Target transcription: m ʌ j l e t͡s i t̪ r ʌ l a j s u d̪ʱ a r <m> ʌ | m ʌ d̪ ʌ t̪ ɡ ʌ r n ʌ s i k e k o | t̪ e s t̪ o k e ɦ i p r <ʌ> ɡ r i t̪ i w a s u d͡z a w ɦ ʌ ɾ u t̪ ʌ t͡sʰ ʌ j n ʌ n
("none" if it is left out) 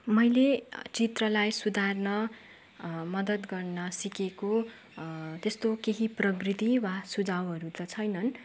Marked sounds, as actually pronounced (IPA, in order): n, ʌ

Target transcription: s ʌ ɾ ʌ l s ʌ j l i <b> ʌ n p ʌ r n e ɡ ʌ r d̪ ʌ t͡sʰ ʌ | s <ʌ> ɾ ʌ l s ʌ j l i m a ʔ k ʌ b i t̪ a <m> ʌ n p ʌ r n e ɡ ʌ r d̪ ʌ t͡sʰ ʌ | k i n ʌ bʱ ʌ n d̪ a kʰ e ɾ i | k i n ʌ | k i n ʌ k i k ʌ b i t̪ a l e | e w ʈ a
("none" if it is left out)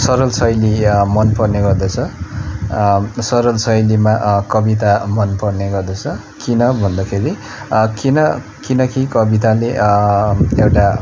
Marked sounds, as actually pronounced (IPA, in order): m, ʌ, m

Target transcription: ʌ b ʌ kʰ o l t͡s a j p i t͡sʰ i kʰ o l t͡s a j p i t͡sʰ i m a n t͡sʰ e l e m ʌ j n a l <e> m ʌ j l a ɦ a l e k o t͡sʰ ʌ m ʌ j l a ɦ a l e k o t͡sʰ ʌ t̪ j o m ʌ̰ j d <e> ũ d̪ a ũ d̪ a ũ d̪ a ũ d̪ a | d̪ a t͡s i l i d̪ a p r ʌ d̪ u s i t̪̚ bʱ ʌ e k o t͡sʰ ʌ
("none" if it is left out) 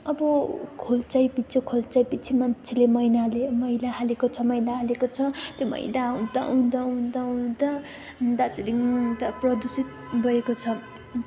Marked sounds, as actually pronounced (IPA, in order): e, a

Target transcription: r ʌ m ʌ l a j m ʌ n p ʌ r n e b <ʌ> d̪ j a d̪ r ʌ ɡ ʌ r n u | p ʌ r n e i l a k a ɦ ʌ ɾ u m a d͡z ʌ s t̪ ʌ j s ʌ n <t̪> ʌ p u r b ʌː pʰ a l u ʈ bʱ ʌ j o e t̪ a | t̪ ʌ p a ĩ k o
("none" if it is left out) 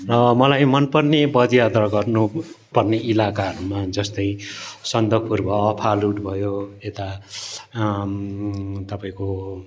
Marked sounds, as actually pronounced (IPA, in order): ʌ, d̪

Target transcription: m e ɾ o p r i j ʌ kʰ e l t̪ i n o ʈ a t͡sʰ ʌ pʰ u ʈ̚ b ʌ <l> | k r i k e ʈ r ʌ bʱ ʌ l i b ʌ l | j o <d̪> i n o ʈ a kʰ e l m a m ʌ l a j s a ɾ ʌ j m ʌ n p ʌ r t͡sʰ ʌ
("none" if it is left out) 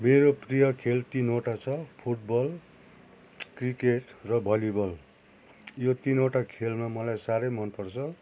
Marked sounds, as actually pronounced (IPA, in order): l, t̪

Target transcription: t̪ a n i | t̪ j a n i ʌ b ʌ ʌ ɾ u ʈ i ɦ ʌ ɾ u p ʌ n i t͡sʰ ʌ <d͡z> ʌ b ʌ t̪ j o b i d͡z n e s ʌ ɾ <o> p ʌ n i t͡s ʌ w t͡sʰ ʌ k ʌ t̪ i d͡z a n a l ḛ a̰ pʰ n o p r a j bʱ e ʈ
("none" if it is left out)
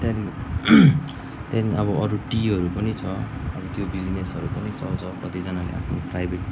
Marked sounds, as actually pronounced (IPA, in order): none, u

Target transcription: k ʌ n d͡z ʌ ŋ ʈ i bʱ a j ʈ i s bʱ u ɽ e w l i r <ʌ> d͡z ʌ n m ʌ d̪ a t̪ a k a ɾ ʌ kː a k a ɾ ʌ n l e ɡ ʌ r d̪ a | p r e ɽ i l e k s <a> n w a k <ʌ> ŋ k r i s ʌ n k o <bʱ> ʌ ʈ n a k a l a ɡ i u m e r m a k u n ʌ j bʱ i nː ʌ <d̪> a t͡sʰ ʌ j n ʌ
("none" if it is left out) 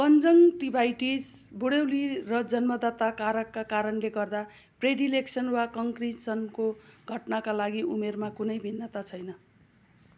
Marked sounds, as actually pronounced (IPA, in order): ʌ, ʌ, ʌ, ɡʱ, t̪

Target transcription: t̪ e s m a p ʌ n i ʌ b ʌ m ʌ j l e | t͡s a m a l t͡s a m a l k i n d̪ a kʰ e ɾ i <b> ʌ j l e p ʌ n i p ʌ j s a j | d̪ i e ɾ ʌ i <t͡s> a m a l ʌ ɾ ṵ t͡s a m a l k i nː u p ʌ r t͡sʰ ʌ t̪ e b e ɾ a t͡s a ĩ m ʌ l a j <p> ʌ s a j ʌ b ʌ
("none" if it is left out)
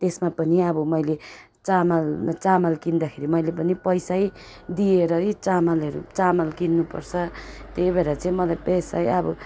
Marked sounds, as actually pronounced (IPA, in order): m, t͡s, p

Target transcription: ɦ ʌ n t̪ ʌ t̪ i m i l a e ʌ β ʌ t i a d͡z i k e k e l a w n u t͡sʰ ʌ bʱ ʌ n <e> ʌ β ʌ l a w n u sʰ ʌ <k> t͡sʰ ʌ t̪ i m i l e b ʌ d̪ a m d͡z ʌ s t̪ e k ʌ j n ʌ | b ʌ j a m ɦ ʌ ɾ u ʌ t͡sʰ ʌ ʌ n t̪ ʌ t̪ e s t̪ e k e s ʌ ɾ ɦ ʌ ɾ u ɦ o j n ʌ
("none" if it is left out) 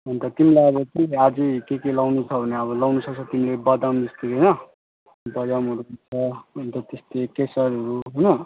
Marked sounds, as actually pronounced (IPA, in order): e, k

